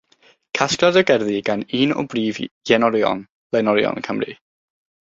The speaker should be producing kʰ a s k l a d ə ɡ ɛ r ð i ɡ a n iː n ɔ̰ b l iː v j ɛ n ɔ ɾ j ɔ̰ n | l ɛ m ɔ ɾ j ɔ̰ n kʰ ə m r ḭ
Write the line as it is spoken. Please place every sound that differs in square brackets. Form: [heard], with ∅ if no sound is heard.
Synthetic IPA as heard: kʰ a s k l a d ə ɡ ɛ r ð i ɡ a n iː n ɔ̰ b [r] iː v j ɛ n ɔ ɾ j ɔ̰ n | l ɛ [n] ɔ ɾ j ɔ̰ n kʰ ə m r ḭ